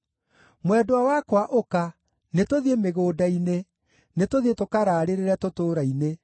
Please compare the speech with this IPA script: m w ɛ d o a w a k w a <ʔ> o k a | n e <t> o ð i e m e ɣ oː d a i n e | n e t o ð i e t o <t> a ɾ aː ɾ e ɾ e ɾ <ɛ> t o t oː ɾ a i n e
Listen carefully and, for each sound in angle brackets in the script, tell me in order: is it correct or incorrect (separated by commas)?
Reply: correct, correct, incorrect, correct